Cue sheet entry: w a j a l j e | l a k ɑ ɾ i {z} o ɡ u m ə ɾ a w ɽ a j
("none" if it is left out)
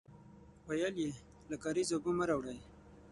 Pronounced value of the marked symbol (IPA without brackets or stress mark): z